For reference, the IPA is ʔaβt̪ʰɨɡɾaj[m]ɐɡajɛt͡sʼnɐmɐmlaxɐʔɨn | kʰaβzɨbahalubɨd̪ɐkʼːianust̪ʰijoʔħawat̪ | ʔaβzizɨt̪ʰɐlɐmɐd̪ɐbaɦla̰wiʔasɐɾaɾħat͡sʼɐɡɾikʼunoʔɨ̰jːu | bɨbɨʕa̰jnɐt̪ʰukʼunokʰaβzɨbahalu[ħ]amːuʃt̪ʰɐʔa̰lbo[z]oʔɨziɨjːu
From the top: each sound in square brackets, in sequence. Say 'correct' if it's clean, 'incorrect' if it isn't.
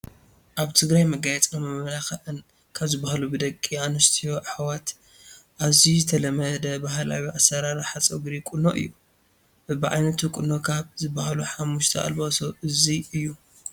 correct, correct, incorrect

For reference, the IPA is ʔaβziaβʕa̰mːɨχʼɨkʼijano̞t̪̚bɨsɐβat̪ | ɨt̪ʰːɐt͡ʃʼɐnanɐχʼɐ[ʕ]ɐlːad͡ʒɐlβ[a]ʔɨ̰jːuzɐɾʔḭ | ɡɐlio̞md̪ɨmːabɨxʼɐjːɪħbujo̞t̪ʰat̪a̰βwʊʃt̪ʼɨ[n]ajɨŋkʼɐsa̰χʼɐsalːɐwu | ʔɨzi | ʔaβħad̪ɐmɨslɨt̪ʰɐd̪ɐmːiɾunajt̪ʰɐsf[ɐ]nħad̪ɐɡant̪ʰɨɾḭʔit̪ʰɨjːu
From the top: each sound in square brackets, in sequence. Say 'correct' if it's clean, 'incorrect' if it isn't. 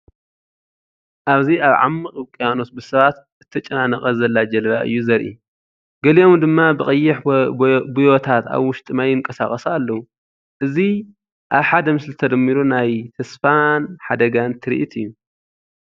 incorrect, correct, incorrect, incorrect

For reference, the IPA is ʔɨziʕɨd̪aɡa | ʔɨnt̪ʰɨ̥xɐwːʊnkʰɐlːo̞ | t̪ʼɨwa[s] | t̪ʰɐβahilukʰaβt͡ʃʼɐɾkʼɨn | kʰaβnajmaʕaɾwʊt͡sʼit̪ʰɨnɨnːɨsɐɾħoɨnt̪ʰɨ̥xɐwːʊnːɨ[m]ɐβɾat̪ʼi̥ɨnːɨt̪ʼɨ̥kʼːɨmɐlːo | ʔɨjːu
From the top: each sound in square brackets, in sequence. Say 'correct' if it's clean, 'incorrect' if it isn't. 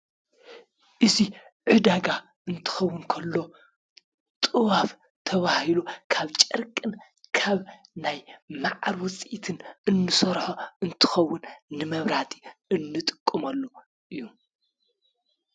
incorrect, correct

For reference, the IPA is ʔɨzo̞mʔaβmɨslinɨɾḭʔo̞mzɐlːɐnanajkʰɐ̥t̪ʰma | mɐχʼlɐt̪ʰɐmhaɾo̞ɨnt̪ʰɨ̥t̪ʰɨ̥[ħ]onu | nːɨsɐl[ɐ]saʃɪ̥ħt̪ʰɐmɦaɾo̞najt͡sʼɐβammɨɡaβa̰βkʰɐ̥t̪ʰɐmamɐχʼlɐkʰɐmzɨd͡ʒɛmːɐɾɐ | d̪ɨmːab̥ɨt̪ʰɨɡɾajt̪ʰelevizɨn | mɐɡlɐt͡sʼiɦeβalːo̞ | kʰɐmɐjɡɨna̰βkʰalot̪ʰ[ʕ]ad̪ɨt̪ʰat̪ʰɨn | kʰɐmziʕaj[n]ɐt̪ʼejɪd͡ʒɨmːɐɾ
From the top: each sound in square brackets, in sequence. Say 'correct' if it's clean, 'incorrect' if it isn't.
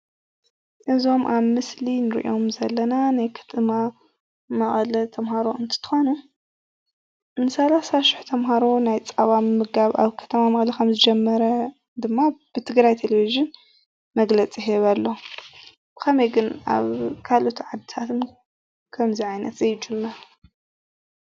incorrect, incorrect, correct, correct

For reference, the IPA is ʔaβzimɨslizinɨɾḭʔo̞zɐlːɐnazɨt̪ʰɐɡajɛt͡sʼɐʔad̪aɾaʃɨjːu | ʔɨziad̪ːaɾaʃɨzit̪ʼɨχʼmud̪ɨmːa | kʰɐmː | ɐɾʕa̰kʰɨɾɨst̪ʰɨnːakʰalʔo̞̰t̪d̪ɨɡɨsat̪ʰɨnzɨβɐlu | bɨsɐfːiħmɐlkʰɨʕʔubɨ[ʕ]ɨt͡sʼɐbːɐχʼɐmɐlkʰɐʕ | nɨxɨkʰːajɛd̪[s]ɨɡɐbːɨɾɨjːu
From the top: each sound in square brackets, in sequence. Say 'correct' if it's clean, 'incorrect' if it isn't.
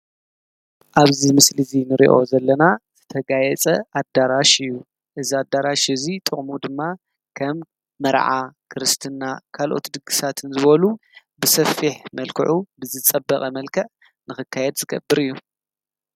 incorrect, incorrect

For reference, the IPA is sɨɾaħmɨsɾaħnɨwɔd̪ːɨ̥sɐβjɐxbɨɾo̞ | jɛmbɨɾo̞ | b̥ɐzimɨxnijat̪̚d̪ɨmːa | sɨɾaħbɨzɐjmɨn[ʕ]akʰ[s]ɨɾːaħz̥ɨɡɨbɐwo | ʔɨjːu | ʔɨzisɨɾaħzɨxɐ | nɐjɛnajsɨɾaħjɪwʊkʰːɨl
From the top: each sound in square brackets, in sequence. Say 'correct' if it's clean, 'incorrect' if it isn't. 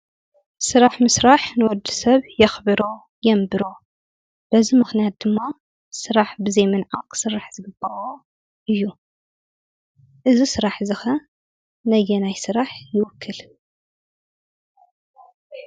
correct, correct

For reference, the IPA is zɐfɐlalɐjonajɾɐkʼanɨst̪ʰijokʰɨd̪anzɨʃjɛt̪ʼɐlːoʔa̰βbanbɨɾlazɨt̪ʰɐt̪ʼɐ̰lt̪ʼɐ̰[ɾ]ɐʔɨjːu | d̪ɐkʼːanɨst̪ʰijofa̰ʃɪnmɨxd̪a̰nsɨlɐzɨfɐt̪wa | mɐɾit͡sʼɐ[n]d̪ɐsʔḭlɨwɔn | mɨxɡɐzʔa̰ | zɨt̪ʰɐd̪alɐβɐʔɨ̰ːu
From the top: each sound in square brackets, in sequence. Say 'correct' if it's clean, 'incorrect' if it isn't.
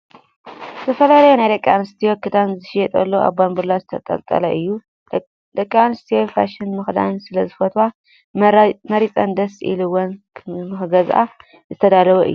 incorrect, correct

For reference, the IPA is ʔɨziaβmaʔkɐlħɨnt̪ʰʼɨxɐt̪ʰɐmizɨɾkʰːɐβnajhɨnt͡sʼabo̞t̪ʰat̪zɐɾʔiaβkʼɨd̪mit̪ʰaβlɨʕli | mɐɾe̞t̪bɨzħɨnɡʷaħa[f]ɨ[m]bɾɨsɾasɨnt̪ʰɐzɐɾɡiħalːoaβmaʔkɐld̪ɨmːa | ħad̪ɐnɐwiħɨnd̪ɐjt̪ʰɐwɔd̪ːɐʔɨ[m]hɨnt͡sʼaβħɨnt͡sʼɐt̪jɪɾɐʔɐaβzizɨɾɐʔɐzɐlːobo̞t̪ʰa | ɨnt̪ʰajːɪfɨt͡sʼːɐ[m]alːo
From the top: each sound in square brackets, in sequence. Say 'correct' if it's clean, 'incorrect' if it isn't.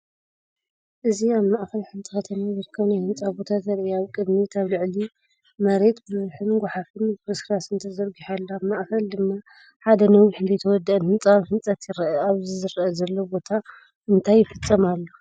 correct, incorrect, incorrect, correct

